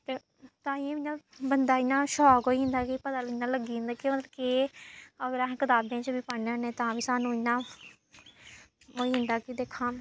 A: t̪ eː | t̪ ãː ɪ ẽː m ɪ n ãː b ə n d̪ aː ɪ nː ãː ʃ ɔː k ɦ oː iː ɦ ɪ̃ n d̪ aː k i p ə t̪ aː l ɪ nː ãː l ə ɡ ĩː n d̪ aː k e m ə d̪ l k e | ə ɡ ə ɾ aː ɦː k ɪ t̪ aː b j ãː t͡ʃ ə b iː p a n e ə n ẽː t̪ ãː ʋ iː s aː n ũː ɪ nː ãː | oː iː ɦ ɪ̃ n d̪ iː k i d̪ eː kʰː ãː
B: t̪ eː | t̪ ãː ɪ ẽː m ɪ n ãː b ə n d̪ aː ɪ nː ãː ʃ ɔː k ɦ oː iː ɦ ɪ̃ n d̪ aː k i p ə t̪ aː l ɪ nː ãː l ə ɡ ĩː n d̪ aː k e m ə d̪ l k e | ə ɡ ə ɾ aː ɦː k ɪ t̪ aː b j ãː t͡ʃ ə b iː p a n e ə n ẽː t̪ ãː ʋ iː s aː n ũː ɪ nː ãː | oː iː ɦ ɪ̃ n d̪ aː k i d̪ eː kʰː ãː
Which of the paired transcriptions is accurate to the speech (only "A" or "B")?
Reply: B